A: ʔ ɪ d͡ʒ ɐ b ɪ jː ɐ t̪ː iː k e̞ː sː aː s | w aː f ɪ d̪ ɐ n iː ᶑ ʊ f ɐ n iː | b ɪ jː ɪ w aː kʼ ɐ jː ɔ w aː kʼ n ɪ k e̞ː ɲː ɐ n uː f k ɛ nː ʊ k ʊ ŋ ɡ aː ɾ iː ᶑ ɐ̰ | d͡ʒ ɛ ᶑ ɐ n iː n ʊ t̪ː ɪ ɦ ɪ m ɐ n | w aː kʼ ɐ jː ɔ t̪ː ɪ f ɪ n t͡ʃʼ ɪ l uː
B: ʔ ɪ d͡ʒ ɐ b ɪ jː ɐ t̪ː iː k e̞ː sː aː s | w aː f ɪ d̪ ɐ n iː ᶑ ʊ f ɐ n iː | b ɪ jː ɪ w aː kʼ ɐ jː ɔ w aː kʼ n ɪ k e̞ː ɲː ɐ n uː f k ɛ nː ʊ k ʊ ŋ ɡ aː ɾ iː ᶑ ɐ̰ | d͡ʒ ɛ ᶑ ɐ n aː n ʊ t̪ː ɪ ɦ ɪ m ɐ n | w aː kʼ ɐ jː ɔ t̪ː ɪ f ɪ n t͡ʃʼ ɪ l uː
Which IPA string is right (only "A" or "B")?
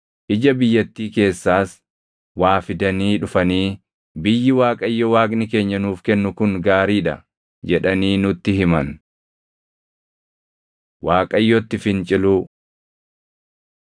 A